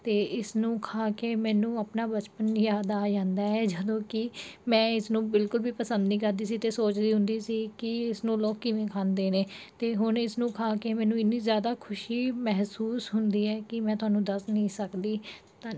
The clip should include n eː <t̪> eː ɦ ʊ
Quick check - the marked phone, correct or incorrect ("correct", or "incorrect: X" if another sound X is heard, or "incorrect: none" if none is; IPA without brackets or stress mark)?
correct